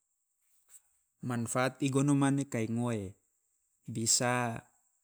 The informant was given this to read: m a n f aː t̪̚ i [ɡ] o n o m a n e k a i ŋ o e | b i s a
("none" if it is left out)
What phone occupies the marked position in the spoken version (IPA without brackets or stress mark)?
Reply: ɡ